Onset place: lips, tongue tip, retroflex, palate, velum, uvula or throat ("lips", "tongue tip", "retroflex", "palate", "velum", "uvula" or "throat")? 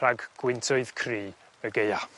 velum